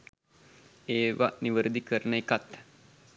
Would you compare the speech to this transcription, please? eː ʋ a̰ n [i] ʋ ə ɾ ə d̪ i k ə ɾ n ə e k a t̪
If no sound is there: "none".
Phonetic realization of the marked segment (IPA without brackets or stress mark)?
i